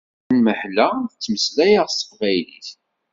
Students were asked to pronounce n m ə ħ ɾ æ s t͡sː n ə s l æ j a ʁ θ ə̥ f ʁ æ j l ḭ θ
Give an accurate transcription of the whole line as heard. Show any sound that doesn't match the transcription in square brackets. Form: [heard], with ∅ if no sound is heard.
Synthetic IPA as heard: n m ə ħ [l] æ [θ] t͡sː [m] ə s l æ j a ʁ [s] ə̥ f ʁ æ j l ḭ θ